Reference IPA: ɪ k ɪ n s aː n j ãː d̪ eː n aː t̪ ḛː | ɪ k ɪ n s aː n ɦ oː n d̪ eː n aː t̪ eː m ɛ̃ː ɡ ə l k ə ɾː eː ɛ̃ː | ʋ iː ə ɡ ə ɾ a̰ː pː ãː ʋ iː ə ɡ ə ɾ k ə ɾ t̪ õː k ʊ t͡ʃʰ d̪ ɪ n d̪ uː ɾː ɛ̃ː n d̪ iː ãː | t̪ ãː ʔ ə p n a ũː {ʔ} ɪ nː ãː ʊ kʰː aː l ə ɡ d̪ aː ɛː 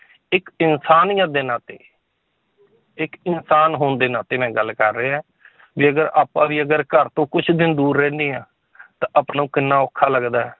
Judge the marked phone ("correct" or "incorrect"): incorrect